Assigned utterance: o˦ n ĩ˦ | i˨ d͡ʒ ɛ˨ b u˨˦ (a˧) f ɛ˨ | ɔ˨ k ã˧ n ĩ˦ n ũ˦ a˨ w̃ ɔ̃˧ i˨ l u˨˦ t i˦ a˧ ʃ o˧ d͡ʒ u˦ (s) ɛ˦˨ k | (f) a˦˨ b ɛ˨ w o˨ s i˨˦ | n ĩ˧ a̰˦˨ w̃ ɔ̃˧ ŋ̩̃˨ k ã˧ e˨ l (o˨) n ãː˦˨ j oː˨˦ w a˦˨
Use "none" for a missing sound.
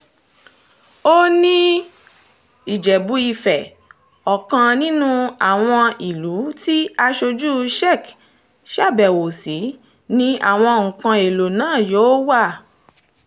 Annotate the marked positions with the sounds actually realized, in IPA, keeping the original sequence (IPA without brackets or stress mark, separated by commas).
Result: i˧, ʃ, ʃ, o˨